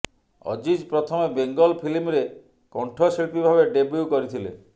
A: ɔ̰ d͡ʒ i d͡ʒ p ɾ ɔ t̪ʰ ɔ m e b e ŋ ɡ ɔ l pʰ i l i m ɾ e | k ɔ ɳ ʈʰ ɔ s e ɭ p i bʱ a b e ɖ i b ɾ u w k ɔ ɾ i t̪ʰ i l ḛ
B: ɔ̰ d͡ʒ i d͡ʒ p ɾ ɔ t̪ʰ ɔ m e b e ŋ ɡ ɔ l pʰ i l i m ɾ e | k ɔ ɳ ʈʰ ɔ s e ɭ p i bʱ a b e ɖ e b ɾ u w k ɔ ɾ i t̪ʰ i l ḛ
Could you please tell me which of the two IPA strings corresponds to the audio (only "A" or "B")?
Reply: B